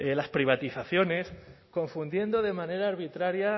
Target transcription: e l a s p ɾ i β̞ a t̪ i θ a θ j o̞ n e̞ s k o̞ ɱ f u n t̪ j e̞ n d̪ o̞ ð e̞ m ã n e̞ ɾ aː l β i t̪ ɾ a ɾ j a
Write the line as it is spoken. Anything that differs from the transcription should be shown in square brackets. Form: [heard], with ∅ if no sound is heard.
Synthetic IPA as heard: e l a s p ɾ i β̞ a t̪ i θ a θ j o̞ n e̞ s k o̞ ɱ f u n [d̪] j e̞ n d̪ o̞ ð e̞ m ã n e̞ ɾ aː [ɾ] β i t̪ ɾ a ɾ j a